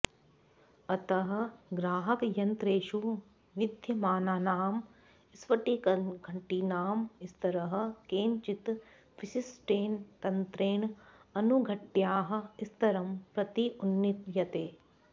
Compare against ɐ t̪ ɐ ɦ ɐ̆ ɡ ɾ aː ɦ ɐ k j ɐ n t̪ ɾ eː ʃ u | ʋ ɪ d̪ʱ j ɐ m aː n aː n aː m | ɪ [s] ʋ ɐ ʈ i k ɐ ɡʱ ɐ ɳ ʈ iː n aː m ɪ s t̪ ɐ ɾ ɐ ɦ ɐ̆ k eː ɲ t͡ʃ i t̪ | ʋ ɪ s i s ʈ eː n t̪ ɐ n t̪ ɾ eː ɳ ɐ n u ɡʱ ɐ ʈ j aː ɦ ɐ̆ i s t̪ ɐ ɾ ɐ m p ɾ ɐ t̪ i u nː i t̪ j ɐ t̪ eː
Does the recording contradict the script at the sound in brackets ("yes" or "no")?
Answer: no